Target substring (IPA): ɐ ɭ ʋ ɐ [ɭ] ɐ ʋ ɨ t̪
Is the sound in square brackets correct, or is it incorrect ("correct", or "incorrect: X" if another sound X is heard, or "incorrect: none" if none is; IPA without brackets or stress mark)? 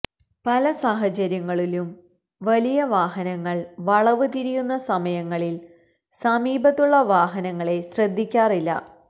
correct